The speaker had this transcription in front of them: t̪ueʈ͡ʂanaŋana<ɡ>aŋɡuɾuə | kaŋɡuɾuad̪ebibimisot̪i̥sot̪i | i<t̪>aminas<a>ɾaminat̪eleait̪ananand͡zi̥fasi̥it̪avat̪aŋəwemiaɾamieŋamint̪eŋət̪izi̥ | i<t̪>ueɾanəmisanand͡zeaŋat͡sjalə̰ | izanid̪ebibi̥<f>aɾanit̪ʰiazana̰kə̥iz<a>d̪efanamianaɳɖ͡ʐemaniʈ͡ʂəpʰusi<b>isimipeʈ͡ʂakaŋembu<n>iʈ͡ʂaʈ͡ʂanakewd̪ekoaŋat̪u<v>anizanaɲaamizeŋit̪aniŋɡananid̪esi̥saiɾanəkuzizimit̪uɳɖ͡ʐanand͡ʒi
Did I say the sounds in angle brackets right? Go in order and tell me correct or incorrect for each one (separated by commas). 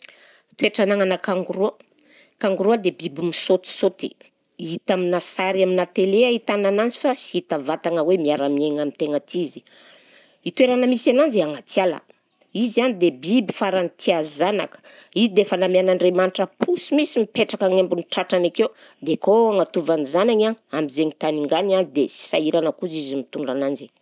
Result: incorrect, correct, correct, correct, correct, incorrect, incorrect, correct, correct